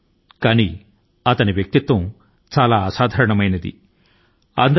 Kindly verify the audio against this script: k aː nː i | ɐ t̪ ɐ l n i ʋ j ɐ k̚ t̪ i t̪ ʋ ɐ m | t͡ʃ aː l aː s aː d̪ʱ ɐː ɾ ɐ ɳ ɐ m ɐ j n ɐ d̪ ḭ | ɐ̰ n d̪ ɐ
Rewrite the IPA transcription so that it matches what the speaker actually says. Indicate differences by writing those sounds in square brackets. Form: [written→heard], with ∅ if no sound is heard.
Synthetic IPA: k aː [nː→n] i | ɐ t̪ ɐ [l→∅] n i ʋ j ɐ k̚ t̪ i t̪ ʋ ɐ m | t͡ʃ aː l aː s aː d̪ʱ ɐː ɾ ɐ ɳ ɐ m ɐ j n ɐ d̪ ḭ | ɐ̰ n d̪ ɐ